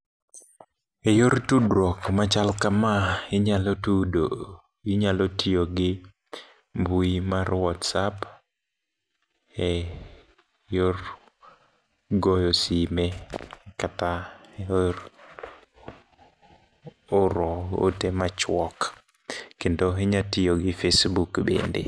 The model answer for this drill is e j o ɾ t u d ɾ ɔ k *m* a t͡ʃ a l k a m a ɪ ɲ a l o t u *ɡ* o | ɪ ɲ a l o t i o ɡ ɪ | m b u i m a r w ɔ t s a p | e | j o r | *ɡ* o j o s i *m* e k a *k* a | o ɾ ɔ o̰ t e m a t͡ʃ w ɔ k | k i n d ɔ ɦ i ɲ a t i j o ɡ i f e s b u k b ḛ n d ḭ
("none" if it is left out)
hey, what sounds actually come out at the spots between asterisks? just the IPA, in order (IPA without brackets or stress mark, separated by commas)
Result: m, d, ɡ, m, t